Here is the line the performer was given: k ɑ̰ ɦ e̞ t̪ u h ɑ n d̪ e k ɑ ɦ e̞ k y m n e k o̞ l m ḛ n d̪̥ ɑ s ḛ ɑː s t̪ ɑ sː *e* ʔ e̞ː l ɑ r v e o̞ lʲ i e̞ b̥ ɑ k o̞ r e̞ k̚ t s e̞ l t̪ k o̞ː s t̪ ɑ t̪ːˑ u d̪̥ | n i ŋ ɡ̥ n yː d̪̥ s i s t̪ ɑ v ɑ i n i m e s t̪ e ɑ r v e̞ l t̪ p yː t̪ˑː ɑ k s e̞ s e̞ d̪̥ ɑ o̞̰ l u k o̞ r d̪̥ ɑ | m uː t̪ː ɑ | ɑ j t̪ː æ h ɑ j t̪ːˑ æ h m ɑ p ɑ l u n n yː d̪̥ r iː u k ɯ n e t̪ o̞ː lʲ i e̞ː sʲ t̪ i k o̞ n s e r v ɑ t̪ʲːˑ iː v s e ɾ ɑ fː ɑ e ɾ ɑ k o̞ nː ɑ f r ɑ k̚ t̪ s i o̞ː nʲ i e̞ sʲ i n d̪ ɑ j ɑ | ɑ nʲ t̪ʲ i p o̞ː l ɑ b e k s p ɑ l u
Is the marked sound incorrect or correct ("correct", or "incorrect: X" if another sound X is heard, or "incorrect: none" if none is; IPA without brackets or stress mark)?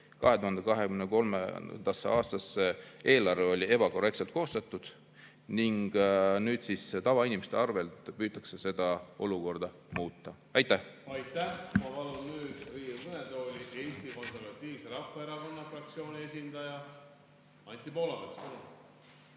correct